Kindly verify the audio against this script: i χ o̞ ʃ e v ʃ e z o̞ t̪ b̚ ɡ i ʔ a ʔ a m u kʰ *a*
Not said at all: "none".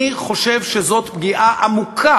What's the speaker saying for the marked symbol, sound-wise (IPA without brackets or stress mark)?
a